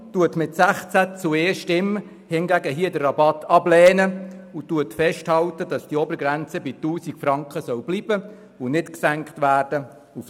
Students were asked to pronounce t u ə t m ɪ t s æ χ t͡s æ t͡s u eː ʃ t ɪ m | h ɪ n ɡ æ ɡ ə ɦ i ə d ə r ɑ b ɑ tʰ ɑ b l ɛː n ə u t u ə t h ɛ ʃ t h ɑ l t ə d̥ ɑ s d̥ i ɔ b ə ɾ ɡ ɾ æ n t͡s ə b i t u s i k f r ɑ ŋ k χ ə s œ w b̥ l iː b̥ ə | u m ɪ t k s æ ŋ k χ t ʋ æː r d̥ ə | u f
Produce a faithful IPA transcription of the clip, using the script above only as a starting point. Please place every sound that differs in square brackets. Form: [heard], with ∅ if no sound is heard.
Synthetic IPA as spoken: t u ə t m ɪ t s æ χ t͡s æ t͡s u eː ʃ t ɪ m | h ɪ n ɡ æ ɡ ə ɦ i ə d ə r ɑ b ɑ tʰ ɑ b l ɛː n ə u t u ə t [f] ɛ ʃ t h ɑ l t ə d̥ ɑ s d̥ i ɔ b ə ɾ ɡ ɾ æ n t͡s ə b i t [uː] s i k f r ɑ ŋ k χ ə s œ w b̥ l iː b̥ ə | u [n] ɪ t k s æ ŋ k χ t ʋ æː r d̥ ə | u f